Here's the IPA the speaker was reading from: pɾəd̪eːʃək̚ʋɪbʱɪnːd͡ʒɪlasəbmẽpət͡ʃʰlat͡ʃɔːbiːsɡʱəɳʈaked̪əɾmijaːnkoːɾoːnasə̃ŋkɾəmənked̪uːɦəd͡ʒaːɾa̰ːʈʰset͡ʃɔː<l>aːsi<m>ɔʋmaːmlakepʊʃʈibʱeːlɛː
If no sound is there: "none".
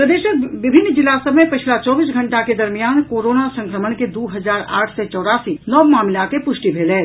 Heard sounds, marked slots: ɽ, n

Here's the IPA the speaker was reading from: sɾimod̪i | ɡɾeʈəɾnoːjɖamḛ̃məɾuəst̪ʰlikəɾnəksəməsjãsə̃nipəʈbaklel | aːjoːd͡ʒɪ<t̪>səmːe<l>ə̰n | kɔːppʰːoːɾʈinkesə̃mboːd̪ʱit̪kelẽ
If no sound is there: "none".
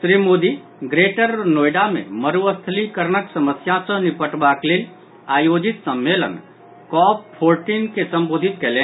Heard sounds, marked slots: t̪, l

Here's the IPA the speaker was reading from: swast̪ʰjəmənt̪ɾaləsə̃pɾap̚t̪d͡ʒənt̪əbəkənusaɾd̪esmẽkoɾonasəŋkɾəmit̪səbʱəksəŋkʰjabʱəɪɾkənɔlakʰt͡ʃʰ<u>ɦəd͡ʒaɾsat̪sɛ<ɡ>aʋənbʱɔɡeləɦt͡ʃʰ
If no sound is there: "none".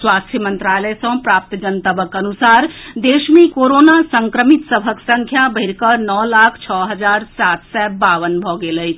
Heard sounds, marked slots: ɔ, b

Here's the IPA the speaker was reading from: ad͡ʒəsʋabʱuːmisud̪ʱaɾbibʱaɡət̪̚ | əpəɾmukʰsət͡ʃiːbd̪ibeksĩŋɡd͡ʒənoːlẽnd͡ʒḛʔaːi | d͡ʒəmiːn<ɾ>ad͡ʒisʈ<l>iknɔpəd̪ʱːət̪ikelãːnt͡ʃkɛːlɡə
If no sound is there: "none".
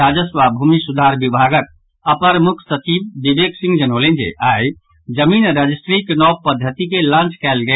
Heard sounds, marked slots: ɾ, ɾ

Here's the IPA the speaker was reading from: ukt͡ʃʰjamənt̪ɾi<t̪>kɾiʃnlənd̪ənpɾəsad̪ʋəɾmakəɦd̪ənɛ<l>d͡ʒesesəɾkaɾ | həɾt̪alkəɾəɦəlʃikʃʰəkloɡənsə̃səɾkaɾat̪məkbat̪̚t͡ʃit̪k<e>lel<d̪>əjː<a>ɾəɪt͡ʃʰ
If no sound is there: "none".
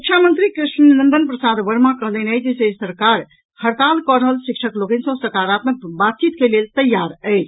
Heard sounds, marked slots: none, none, e, t̪, a

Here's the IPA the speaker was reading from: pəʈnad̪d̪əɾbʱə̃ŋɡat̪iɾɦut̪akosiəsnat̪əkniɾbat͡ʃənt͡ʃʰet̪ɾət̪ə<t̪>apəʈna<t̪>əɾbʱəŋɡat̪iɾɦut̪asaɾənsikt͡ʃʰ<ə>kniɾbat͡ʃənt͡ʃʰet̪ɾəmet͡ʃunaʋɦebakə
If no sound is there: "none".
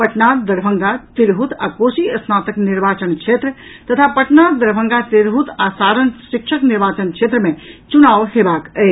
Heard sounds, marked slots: t̪ʰ, d̪, ə

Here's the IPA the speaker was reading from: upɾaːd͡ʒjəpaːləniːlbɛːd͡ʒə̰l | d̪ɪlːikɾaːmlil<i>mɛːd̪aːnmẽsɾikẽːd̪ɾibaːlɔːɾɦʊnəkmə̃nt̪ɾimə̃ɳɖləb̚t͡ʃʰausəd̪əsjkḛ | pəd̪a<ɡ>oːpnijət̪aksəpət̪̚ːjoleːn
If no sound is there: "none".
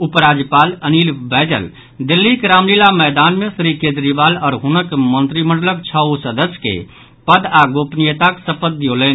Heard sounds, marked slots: a, ɡ

